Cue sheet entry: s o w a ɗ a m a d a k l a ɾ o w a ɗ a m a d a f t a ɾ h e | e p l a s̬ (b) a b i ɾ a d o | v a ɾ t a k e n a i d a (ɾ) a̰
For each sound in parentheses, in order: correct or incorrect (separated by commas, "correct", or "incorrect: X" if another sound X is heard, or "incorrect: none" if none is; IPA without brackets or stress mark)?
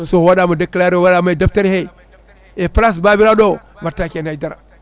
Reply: correct, correct